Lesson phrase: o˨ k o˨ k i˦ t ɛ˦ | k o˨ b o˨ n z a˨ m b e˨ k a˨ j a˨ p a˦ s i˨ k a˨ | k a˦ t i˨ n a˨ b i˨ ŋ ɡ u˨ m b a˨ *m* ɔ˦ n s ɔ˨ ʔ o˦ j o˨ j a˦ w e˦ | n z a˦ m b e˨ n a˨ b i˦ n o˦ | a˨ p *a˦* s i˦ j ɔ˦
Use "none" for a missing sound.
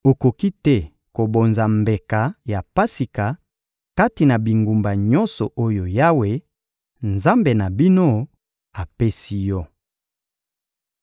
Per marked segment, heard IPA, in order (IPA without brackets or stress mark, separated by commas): ɲ, e˦